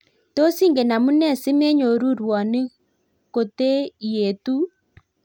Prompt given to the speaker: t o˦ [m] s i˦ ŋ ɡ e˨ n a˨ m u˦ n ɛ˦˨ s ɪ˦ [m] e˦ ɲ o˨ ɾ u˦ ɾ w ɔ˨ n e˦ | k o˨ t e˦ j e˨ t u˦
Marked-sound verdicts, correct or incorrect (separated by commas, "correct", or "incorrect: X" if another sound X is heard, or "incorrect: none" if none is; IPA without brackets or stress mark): incorrect: none, correct